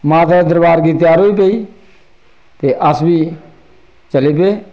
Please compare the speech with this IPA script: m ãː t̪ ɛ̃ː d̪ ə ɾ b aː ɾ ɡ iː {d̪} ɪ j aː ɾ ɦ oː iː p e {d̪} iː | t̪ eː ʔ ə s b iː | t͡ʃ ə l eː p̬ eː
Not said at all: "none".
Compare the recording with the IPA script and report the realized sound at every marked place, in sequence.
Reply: t̪, none

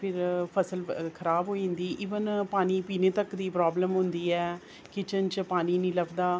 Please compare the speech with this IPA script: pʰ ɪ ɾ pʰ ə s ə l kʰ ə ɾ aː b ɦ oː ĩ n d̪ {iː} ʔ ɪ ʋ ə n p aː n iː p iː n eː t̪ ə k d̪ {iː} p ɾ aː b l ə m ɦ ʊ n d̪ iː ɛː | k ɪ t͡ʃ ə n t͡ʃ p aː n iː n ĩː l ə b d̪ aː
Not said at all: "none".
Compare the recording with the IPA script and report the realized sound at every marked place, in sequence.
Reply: iː, iː

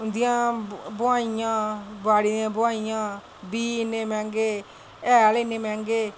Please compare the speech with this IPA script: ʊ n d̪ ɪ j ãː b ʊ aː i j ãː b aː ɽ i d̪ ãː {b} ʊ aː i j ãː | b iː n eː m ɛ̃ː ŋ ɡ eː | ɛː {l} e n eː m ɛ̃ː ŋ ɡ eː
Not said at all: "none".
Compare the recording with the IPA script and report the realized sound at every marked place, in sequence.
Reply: b, l

